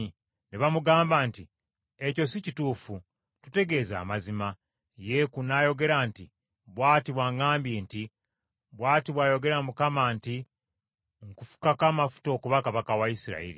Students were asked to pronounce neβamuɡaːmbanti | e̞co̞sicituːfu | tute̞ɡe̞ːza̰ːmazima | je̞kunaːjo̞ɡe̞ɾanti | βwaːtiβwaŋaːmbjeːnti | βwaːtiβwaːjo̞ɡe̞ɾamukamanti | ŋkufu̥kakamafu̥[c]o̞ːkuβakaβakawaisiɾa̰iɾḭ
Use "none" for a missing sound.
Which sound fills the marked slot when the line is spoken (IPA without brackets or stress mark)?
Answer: t